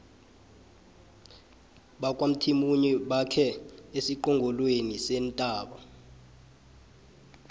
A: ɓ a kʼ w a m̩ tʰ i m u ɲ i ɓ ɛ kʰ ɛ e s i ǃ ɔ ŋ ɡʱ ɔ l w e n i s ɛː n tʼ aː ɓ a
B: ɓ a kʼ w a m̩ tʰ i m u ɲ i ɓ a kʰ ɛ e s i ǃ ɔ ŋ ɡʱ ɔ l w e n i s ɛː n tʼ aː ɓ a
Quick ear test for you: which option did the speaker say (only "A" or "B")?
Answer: B